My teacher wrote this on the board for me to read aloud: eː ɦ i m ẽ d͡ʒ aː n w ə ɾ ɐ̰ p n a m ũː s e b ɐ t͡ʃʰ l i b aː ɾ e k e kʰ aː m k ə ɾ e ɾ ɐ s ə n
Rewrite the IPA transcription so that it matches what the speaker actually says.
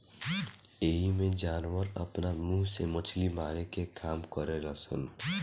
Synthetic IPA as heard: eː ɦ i m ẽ d͡ʒ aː n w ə ɾ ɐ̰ p n a m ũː s e m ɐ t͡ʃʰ l i m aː ɾ e k e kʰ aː m k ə ɾ e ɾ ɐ s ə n